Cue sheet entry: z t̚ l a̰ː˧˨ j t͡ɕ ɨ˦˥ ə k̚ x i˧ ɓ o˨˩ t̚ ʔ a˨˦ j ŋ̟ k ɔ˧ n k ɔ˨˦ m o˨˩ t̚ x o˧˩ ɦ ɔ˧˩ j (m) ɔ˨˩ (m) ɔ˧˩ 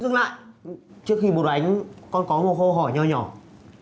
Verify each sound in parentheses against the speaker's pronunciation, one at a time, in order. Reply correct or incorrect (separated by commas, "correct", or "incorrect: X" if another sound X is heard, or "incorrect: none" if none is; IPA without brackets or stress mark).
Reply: incorrect: ɲ, incorrect: ɲ